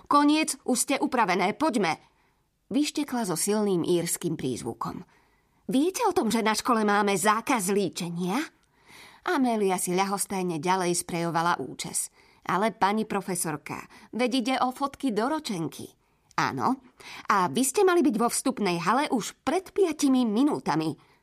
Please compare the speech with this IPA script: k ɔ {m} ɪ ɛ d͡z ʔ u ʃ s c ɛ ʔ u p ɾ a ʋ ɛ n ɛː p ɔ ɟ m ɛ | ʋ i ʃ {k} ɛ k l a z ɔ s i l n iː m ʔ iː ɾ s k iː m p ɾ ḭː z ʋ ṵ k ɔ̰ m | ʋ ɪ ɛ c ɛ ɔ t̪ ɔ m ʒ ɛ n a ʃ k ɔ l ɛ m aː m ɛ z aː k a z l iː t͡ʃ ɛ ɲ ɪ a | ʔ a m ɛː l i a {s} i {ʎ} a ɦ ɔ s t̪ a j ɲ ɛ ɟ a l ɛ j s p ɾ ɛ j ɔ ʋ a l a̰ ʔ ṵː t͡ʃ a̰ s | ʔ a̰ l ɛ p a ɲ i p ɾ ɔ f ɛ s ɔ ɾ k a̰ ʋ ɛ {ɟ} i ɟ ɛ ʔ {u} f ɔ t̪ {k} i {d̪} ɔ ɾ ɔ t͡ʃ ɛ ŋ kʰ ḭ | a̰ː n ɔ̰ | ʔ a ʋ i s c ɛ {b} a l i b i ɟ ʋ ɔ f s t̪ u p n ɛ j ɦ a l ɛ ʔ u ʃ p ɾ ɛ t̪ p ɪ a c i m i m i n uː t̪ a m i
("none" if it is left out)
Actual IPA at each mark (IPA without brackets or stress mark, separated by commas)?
ɲ, c, s, ʎ, ɟ, ɔ, k, d̪, m